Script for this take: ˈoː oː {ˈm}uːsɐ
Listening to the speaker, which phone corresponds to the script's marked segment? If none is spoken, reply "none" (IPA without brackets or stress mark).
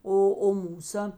m